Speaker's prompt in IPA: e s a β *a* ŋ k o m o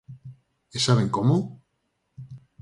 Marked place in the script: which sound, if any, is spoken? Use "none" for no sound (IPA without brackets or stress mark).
e